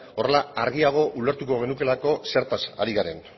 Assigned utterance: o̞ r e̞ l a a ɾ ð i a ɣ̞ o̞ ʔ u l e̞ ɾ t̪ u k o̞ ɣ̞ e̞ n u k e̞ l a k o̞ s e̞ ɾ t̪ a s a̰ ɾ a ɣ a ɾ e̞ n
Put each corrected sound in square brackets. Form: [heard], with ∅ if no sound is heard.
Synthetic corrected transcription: o̞ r e̞ l a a ɾ [ɣ] i a ɣ̞ o̞ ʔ u l e̞ ɾ t̪ u k o̞ ɣ̞ e̞ n u k e̞ l a k o̞ s e̞ ɾ t̪ a s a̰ ɾ [i] ɣ a ɾ e̞ n